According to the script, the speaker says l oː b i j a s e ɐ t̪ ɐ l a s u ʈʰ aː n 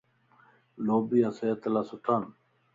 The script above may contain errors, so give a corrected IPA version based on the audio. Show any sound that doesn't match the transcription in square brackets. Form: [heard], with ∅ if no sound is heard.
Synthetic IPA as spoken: l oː b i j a s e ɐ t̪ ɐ l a s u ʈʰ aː n